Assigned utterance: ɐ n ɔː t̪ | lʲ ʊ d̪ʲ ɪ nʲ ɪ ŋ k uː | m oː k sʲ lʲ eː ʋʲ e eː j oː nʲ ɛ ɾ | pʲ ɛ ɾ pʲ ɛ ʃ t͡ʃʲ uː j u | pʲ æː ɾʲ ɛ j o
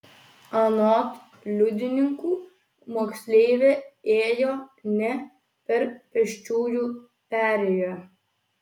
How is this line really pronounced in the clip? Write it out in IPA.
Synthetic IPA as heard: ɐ n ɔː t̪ | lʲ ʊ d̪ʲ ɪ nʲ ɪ ŋ k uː | m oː k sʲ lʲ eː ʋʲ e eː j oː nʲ ɛ | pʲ ɛ ɾ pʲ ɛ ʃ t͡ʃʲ uː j u | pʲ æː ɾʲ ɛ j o